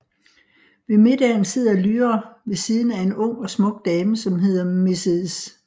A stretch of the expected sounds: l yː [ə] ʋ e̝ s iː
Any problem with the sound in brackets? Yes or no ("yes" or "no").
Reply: yes